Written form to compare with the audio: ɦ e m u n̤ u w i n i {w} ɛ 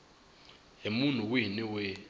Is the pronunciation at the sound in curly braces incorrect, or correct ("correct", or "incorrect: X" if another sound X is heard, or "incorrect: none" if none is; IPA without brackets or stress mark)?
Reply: correct